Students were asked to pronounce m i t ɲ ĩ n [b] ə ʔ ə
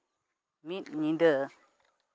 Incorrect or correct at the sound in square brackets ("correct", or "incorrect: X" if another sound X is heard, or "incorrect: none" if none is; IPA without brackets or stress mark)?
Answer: incorrect: d